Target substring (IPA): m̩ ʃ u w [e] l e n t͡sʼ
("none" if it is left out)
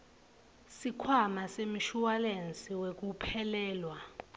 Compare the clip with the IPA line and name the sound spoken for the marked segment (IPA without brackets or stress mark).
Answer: a